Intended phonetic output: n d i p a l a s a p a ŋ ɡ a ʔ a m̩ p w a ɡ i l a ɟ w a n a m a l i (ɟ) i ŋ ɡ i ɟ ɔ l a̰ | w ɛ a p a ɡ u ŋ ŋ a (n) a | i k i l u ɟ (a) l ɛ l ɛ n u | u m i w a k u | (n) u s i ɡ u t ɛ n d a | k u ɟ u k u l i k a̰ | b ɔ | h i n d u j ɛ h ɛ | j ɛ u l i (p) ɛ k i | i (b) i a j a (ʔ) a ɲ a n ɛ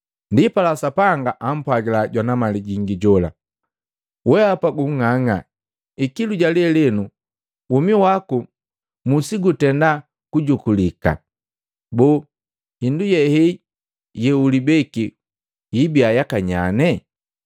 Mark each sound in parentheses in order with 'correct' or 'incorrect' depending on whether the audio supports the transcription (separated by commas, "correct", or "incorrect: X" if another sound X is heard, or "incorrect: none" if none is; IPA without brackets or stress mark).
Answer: correct, incorrect: ŋ, correct, incorrect: m, incorrect: b, correct, incorrect: k